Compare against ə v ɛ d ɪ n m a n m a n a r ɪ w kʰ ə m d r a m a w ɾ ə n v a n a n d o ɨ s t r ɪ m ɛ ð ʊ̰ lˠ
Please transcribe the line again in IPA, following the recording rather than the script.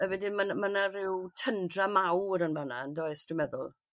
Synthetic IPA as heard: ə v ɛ d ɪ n m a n m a n a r ɪ w tʰ ə n d r a m a w ɾ ə n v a n a n d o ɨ s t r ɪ m ɛ ð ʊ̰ lˠ